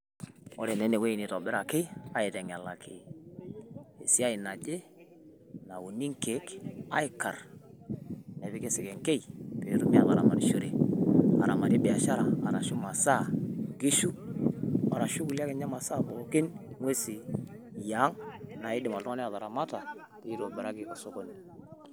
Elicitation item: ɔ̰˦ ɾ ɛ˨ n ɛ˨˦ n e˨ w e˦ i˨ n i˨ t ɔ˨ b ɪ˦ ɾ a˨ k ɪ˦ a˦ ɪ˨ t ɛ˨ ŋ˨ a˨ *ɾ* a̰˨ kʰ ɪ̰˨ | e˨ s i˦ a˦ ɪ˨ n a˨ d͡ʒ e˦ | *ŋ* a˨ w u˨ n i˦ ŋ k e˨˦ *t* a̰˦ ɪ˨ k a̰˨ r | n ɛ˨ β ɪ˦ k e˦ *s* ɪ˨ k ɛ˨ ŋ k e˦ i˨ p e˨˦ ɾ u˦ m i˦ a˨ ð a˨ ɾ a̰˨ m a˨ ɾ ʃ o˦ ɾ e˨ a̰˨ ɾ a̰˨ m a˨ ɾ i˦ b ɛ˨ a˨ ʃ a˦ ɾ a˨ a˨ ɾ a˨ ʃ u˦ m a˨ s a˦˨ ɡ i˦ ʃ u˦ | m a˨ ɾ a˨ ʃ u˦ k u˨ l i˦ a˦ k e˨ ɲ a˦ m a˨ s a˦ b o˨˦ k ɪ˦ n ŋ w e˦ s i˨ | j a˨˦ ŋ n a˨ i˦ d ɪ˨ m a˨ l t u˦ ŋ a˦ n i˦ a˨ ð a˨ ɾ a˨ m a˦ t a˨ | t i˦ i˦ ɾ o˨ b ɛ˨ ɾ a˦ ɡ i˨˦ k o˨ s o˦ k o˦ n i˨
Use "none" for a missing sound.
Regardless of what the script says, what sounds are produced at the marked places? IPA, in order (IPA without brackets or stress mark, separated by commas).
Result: l, n, k, s